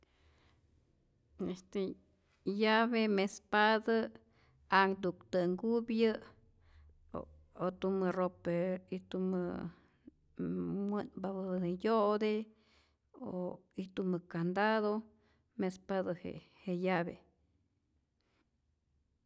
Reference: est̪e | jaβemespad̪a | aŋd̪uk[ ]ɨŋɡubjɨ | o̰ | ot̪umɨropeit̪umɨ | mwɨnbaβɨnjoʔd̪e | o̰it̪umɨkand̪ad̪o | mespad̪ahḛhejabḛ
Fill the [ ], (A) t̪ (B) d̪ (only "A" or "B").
A